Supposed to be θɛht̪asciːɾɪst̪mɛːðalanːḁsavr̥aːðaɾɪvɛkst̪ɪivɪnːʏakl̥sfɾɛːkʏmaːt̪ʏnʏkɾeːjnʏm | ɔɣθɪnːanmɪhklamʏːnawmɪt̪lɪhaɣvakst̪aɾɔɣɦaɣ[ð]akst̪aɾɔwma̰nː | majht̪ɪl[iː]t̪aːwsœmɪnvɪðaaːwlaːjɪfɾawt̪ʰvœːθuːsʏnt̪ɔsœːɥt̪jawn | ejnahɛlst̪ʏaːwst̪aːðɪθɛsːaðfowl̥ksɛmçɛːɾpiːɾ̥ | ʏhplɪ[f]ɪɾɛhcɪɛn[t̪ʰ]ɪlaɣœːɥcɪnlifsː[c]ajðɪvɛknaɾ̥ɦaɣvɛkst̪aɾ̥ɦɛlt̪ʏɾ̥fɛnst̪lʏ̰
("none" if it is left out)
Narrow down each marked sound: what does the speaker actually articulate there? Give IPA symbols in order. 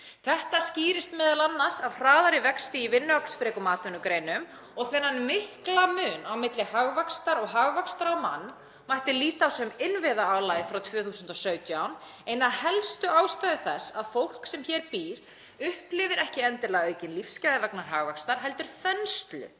v, iː, v, t̪, c

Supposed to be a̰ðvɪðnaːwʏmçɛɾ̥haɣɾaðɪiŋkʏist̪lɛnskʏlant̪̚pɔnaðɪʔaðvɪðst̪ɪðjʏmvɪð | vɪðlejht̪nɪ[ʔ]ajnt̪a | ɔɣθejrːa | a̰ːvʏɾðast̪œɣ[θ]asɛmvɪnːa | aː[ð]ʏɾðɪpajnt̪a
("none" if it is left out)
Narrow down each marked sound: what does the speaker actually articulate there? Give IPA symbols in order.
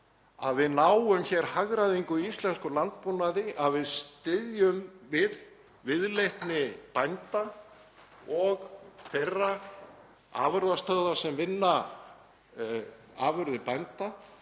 p, ð, v

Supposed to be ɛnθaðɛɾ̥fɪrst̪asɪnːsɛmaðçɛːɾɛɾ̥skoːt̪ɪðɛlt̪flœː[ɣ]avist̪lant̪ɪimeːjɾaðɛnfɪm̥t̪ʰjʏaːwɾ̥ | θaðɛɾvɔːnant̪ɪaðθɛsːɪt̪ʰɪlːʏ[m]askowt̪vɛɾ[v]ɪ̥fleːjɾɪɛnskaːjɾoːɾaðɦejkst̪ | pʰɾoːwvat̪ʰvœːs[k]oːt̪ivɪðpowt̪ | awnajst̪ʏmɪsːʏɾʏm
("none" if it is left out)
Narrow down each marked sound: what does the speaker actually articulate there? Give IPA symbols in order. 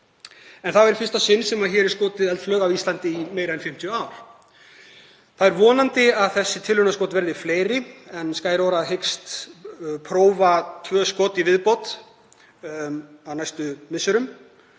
ɣ, n, ð, k

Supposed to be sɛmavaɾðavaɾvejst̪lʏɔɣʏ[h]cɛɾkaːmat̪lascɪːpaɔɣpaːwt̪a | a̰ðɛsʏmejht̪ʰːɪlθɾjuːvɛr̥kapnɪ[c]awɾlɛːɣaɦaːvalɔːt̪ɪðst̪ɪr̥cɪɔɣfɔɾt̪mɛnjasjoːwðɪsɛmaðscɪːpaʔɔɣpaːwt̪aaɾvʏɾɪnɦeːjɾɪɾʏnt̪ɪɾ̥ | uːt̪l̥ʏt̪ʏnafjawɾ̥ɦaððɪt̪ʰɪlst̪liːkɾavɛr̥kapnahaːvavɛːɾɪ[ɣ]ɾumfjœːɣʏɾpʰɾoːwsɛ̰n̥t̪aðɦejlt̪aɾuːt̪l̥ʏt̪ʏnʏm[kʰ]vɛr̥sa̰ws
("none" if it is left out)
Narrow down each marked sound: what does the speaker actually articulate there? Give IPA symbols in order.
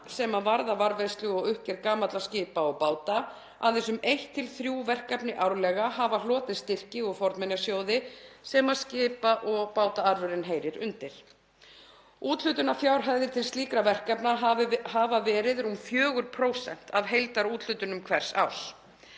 h, ʔ, ð, kʰ

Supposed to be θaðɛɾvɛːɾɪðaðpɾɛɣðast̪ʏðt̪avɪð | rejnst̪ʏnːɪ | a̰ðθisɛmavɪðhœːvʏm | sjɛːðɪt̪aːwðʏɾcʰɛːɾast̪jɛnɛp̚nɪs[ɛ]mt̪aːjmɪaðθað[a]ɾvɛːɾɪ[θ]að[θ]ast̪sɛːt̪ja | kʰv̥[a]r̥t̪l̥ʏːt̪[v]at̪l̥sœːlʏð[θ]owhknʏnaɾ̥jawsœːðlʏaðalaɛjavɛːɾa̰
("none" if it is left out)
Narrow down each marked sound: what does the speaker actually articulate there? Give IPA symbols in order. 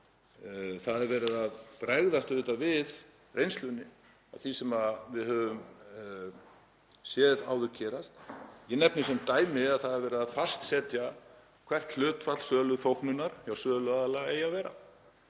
ɛ, ɛ, ð, f, ɛ, f, θ

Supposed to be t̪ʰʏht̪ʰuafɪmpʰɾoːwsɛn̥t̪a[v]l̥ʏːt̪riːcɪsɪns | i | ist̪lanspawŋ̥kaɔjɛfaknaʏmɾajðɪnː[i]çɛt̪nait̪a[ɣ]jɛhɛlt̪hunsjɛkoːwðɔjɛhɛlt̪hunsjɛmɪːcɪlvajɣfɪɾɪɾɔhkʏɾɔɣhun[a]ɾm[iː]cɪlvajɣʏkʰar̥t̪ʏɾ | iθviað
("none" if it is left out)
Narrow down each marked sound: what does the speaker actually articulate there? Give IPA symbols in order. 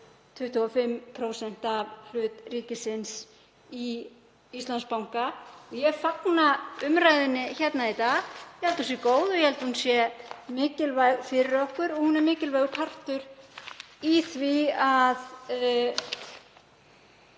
v, ɪ, ɣ, ɛ, ɪː

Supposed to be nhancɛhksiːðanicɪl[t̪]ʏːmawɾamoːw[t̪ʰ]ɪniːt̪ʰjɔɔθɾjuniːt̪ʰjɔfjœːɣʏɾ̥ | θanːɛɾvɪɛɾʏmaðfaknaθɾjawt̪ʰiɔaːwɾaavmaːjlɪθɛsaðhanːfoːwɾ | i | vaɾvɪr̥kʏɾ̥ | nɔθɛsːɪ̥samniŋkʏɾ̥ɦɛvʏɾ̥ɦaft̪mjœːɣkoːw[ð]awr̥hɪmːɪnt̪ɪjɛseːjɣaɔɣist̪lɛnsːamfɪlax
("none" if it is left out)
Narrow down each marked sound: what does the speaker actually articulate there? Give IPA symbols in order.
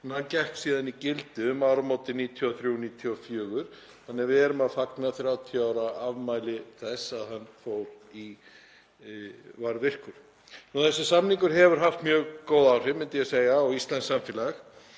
t̪, t̪, ð

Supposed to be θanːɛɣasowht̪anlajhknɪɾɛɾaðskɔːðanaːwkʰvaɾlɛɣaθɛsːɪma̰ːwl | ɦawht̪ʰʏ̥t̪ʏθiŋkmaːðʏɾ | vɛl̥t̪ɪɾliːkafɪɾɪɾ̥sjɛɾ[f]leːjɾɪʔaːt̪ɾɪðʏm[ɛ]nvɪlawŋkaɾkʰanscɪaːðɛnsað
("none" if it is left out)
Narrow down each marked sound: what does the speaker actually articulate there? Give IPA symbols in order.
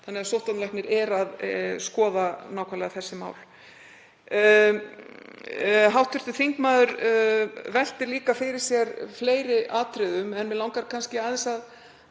f, ɛ

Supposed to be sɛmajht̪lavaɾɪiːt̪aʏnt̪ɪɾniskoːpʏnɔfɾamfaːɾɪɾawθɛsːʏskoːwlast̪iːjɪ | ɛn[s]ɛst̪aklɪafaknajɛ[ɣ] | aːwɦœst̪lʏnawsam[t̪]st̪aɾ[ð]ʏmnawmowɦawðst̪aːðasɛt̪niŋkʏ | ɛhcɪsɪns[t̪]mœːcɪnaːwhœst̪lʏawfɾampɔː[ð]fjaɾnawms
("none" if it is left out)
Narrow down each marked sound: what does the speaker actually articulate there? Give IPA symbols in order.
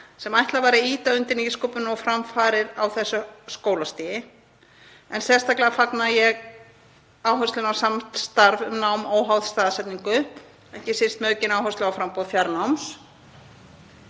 s, ɣ, t̪, v, t̪, ð

